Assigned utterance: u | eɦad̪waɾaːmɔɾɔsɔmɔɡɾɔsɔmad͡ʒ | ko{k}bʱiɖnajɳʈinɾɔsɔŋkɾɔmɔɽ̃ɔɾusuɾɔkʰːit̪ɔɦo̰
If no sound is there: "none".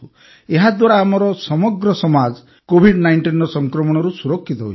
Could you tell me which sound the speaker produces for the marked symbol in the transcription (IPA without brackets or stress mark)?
none